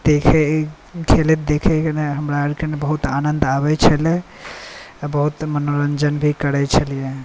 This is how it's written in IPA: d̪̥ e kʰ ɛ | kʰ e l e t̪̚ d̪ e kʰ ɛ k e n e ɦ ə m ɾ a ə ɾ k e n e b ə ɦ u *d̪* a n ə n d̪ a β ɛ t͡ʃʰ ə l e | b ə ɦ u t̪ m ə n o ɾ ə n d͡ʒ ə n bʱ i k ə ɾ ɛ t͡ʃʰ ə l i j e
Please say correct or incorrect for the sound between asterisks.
incorrect